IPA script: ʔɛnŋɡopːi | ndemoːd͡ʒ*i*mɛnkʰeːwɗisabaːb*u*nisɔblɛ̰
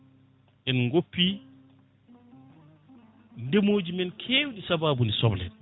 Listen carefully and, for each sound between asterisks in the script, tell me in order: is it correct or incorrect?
correct, correct

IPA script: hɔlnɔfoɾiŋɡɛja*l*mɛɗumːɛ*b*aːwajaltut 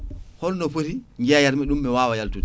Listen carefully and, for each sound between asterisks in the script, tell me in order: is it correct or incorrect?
incorrect, incorrect

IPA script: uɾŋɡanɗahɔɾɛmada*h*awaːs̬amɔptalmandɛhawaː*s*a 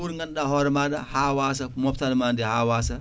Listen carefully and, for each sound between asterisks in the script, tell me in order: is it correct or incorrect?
correct, correct

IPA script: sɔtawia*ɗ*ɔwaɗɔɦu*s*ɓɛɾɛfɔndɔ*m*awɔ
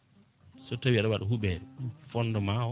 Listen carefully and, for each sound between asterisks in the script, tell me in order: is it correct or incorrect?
correct, incorrect, correct

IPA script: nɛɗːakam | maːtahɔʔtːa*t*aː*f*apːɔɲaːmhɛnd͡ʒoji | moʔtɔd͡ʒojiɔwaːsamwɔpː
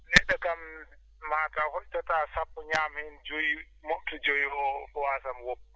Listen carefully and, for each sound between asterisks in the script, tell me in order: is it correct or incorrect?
correct, incorrect

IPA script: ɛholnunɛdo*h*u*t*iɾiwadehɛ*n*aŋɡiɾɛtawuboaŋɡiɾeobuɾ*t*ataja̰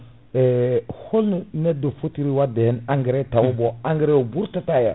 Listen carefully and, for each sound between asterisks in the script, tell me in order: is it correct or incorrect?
incorrect, correct, correct, correct

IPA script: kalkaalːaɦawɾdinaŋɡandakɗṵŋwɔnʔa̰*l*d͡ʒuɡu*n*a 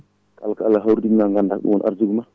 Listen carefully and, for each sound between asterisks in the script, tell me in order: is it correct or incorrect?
incorrect, incorrect

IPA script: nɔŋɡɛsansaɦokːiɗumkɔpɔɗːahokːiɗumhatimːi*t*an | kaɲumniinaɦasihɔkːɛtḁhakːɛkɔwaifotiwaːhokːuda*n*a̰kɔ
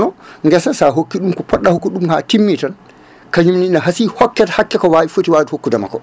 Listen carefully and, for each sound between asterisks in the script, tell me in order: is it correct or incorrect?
correct, incorrect

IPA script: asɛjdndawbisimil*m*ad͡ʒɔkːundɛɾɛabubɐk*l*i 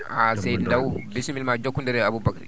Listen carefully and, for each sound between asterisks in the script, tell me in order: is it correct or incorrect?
correct, incorrect

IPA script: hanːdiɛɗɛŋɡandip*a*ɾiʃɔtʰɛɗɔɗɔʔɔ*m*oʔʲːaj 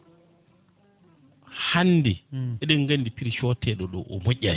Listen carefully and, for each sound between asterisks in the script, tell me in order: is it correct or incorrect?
incorrect, correct

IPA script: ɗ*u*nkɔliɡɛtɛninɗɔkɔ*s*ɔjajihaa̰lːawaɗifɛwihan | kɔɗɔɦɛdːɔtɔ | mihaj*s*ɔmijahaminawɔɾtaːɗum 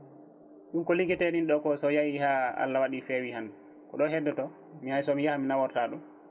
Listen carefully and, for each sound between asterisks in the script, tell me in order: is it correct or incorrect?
correct, correct, correct

